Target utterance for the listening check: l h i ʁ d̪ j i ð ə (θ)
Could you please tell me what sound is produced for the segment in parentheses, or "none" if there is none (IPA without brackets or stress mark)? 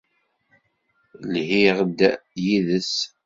s